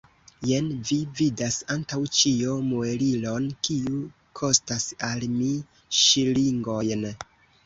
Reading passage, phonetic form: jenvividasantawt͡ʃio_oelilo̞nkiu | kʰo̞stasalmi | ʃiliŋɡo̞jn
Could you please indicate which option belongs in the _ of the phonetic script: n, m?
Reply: m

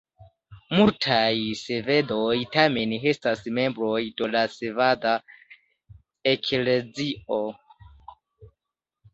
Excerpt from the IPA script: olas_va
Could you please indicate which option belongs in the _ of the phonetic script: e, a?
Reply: e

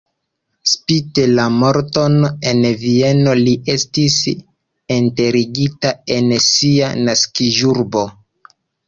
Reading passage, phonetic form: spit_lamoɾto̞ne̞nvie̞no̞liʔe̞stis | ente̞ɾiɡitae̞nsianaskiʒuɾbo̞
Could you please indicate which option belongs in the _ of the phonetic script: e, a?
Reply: e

